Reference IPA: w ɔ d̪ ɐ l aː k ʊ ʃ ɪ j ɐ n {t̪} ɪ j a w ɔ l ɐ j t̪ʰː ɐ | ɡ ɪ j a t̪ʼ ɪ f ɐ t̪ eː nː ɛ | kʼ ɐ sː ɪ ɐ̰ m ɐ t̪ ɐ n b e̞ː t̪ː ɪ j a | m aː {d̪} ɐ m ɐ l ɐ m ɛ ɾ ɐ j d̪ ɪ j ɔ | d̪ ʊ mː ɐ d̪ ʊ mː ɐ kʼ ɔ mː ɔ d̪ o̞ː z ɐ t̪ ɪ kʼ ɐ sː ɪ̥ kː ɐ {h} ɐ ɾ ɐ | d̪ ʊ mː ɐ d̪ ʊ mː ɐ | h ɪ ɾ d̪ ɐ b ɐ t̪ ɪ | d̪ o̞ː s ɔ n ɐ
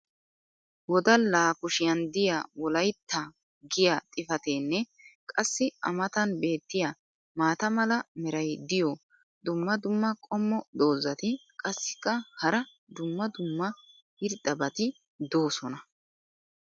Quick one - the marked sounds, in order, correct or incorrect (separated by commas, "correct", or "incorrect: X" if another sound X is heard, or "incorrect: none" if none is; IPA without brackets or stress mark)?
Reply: incorrect: d̪, incorrect: t̪, correct